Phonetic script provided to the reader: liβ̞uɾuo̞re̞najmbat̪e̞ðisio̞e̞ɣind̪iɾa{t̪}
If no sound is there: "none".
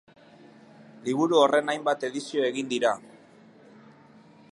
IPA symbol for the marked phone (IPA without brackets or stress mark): none